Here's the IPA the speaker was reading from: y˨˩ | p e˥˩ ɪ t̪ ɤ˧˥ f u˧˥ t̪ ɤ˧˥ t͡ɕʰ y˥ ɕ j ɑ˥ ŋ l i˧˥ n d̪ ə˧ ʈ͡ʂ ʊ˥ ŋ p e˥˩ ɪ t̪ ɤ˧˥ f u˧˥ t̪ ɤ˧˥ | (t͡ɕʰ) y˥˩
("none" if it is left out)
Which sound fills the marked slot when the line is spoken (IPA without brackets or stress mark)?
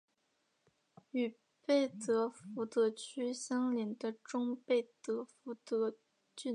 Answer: t͡ɕ